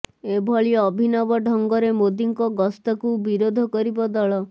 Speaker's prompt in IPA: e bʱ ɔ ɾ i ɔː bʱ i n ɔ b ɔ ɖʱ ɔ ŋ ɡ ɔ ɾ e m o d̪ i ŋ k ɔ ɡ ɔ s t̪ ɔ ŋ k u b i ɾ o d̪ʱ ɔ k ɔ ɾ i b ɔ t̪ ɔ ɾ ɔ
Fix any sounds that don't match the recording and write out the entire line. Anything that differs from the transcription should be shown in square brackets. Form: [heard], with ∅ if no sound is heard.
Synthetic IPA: e bʱ ɔ [ɭ] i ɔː bʱ i n ɔ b ɔ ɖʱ ɔ ŋ ɡ ɔ ɾ e m o d̪ i ŋ k ɔ ɡ ɔ s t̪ ɔ [∅] k u b i ɾ o d̪ʱ ɔ k ɔ ɾ i b ɔ [d̪] ɔ [ɭ] ɔ